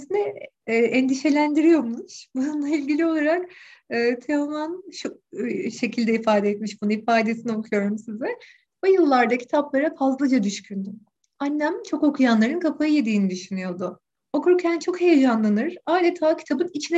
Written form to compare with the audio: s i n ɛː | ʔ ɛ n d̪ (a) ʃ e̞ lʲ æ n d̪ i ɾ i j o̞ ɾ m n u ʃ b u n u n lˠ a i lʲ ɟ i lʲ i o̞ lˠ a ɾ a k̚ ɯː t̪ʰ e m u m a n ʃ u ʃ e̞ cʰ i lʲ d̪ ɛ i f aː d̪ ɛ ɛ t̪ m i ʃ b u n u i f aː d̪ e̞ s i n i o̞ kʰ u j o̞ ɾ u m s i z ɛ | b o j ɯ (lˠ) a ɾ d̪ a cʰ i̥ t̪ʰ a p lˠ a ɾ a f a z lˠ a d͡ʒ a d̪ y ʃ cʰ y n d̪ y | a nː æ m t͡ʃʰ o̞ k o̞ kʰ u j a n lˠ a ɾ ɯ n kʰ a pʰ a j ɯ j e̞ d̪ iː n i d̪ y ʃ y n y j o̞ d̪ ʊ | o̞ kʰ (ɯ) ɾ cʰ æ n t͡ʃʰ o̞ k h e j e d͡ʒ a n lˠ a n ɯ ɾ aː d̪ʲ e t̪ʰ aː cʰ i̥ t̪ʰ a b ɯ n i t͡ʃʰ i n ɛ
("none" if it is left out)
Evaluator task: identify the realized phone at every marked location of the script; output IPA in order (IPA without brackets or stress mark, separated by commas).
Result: i, lˠː, u